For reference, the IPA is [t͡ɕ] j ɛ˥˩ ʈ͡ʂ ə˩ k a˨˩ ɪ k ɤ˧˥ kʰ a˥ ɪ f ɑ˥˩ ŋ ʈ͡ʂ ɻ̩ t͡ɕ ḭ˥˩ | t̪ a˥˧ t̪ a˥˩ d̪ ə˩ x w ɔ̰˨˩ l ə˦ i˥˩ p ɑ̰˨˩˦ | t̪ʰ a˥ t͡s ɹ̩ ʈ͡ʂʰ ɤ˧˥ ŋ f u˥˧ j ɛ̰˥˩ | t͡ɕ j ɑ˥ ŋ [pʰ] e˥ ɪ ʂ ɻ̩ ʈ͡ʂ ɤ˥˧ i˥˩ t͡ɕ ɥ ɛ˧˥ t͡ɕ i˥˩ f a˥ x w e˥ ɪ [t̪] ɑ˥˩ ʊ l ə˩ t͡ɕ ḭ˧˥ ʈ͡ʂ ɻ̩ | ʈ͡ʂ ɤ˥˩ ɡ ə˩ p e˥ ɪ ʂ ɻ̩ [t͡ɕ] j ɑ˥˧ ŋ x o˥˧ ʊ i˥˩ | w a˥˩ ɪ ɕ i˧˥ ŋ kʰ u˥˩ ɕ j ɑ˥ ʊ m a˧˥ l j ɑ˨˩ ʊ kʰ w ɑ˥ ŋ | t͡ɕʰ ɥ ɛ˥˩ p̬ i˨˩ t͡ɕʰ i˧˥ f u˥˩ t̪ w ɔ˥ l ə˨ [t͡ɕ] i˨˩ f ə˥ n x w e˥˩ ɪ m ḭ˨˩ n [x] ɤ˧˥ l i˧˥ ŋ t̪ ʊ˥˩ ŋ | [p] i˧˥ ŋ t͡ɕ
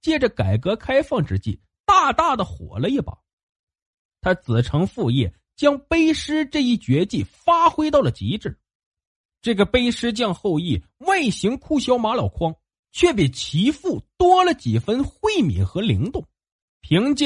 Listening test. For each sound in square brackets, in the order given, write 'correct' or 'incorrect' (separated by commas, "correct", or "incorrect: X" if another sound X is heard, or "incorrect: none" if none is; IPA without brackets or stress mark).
correct, incorrect: p, correct, correct, correct, correct, incorrect: pʰ